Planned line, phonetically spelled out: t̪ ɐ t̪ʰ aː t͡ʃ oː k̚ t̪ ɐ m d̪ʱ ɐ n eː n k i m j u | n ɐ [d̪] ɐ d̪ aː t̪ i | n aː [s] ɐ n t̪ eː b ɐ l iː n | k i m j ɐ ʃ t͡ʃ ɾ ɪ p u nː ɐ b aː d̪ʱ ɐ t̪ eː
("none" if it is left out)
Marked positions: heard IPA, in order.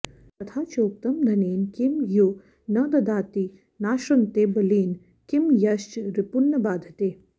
d̪, ʃ

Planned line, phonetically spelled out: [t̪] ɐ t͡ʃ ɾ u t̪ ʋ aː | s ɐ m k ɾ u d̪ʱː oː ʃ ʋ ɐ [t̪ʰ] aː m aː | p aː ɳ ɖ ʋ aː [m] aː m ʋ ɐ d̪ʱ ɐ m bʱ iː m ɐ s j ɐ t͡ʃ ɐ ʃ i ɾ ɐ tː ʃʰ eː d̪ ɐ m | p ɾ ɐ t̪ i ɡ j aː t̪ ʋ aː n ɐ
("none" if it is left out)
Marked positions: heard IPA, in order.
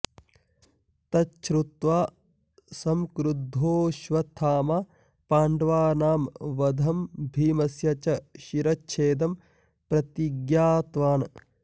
t̪, t̪ʰ, n

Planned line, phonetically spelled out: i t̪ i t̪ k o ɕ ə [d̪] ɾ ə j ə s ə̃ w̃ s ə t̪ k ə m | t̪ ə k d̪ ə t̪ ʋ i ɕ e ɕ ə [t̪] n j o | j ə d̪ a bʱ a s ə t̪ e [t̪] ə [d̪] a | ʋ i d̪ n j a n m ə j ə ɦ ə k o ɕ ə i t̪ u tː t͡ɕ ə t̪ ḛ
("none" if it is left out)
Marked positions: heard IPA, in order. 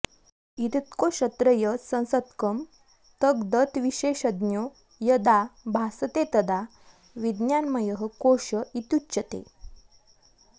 t̪, d̪, t̪, d̪

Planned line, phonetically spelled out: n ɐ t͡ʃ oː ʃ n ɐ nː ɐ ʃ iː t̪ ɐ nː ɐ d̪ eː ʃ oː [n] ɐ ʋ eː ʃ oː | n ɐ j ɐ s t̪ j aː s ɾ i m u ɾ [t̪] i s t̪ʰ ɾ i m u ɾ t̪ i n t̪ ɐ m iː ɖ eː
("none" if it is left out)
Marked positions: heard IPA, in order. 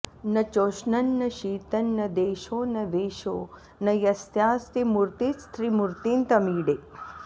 n, t̪

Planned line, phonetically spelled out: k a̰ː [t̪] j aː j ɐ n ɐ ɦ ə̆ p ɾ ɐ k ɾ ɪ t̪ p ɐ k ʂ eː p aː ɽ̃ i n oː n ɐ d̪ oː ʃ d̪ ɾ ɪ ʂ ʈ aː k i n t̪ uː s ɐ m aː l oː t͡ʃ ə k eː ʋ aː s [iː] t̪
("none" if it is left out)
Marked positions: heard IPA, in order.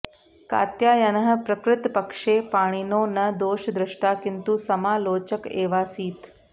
t̪, iː

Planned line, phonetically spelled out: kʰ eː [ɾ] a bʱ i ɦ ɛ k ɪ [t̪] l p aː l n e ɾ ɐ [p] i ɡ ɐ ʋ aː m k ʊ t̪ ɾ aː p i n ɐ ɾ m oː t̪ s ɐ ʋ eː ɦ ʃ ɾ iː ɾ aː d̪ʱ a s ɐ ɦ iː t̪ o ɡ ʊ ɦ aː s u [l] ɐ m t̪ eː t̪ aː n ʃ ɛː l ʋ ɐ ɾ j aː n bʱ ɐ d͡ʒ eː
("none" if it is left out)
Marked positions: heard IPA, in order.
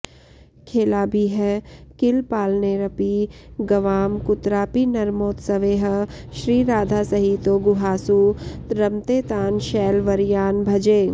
l, none, p, ɾ

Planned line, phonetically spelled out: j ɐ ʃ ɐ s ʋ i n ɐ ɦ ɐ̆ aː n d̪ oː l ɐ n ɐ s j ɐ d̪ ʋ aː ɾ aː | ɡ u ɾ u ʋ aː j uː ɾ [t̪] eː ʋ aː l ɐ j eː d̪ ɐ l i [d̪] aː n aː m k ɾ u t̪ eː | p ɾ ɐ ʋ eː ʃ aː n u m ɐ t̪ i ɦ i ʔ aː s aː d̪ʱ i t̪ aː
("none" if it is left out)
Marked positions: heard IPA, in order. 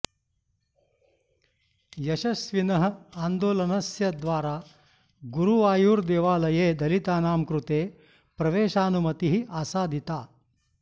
d̪, t̪

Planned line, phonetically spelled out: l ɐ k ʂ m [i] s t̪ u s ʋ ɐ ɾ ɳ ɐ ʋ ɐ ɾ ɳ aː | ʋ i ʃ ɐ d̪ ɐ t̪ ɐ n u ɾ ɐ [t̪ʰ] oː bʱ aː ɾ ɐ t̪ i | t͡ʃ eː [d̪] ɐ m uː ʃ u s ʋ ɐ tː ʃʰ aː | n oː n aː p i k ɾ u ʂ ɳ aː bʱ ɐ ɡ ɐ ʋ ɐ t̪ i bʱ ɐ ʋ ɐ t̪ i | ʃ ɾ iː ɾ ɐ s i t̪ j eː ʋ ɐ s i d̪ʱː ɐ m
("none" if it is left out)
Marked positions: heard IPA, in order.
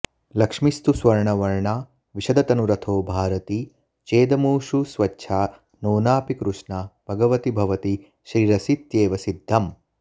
i, t̪ʰ, d̪

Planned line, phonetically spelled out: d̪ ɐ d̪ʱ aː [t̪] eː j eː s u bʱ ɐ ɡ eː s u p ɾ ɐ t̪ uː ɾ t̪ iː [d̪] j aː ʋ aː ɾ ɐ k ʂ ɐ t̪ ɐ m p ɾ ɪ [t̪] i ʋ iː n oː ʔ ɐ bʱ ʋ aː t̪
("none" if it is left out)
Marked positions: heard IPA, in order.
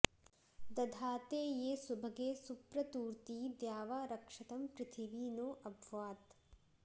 t̪, d̪, t̪ʰ

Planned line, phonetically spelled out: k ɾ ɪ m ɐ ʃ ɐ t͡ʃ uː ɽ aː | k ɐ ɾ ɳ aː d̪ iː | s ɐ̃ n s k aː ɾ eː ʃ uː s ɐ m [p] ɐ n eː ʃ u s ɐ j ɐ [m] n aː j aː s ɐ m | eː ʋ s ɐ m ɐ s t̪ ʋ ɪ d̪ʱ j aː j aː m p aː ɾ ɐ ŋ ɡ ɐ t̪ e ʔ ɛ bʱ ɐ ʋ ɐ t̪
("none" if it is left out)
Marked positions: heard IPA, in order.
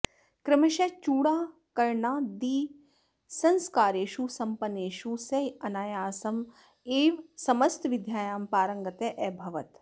p, none

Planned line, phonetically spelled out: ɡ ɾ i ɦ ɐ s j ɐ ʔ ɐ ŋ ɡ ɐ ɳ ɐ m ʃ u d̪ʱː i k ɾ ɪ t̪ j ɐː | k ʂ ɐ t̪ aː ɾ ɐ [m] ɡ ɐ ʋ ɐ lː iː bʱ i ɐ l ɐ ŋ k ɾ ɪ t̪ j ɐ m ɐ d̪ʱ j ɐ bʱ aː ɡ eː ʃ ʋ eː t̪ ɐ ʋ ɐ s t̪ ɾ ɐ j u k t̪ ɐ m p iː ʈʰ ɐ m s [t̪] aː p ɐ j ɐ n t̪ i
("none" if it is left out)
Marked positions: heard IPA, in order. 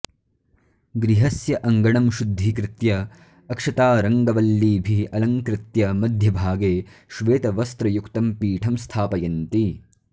ŋ, t̪ʰ

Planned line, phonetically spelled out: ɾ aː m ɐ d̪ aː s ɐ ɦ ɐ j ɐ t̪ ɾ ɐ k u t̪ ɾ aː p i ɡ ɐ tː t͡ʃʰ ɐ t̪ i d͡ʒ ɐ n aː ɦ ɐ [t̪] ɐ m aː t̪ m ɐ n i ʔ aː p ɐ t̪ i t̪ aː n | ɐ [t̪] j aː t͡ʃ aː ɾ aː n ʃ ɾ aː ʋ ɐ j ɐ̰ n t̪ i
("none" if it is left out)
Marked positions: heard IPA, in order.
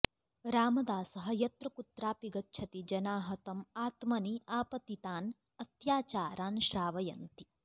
t̪, t̪

